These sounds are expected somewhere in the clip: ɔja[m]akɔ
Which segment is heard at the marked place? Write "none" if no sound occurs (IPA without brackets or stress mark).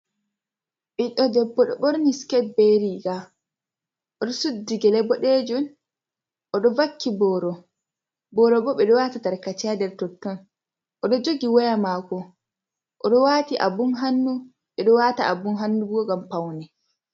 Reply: m